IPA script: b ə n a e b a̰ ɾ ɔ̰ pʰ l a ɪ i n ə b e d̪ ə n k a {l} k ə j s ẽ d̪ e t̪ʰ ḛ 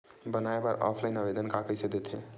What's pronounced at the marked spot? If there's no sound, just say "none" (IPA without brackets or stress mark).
none